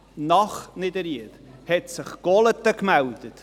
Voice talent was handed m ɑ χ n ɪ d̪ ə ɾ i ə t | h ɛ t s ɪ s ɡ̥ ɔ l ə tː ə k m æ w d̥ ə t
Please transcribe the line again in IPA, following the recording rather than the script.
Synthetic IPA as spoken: n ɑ χ n ɪ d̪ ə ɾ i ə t | h ɛ t s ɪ χ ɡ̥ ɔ l ə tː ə k m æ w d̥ ə t